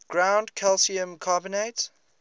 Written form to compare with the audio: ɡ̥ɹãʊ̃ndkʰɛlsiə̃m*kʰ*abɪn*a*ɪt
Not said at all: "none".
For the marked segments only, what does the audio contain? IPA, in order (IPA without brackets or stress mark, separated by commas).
kʰ, e